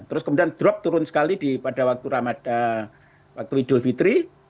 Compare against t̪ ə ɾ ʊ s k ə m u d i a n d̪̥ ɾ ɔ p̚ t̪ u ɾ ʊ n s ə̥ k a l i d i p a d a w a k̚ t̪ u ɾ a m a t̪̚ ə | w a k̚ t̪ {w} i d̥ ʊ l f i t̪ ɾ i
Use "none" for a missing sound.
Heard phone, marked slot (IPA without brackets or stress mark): u